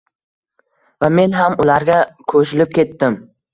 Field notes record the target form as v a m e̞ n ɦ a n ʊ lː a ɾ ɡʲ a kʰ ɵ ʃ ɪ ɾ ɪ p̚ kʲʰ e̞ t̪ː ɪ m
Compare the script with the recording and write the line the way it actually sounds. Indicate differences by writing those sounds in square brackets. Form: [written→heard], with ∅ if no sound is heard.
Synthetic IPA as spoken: v a m e̞ n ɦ a [n→m] ʊ [lː→l] a ɾ ɡʲ a kʰ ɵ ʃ ɪ [ɾ→l] ɪ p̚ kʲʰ e̞ t̪ː ɪ m